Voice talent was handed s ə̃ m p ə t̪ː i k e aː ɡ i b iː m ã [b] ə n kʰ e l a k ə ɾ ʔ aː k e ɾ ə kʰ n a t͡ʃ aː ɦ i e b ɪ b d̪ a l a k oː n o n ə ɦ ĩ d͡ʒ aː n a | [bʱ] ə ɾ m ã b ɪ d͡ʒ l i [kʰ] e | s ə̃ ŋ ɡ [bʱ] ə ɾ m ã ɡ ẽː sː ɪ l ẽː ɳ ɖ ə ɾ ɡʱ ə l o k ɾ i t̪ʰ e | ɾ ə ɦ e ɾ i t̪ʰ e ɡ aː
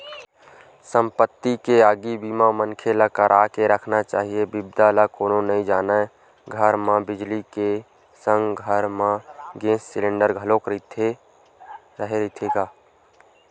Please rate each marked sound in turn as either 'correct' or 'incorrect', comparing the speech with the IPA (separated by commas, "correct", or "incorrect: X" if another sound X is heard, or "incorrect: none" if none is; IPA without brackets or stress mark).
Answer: incorrect: m, incorrect: ɡʱ, incorrect: k, incorrect: ɡʱ